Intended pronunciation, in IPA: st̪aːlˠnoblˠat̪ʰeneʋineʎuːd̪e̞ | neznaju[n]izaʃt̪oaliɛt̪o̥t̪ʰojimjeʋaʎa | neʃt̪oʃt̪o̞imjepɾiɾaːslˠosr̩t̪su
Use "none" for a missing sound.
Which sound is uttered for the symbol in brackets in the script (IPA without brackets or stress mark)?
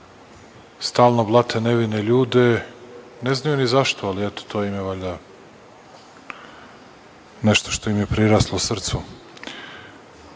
n